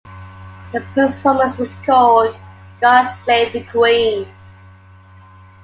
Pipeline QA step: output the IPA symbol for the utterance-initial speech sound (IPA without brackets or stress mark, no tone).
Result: ð